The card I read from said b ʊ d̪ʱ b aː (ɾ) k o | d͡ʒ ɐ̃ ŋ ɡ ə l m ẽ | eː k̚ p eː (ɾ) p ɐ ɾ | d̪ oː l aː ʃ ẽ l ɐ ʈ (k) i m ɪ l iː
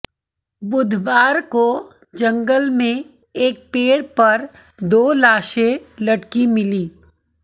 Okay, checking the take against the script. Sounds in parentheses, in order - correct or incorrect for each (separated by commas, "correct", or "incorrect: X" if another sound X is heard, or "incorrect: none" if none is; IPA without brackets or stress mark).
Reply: correct, incorrect: ɽ, correct